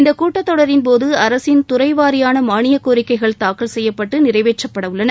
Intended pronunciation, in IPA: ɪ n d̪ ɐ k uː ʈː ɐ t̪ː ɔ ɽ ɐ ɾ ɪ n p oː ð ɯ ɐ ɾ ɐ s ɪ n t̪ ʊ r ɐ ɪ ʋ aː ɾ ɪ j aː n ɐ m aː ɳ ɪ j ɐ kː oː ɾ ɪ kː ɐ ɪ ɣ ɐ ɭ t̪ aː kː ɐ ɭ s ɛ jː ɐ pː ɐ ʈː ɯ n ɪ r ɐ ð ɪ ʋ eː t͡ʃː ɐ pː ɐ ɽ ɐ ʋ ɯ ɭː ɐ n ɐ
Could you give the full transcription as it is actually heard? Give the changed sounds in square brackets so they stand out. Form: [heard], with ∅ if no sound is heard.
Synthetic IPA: ɪ n d̪ ɐ k uː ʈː ɐ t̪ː ɔ ɽ ɐ ɾ ɪ n p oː ð ɯ ɐ ɾ ɐ s ɪ n t̪ ʊ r ɐ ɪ ʋ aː ɾ ɪ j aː n ɐ m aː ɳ ɪ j ɐ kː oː ɾ ɪ kː ɐ ɪ ɣ ɐ ɭ t̪ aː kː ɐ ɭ s ɛ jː ɐ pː ɐ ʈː ɯ n ɪ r ɐ [∅] ɪ ʋ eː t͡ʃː ɐ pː ɐ ɽ ɐ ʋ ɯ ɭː ɐ n ɐ